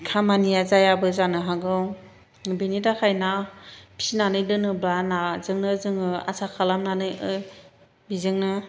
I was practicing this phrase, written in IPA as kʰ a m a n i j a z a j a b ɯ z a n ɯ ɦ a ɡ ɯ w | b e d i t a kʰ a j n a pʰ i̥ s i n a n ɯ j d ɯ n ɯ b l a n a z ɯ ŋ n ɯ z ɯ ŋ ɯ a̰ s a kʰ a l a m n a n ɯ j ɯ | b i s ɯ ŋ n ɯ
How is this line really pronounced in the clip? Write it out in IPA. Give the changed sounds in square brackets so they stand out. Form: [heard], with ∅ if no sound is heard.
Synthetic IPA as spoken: kʰ a m a n i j a z a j a b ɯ z a n ɯ ɦ a ɡ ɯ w | b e [n] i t a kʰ a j n a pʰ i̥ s i n a n ɯ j d ɯ n ɯ b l a n a z ɯ ŋ n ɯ z ɯ ŋ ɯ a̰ s a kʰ a l a m n a n ɯ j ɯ | b i [z] ɯ ŋ n ɯ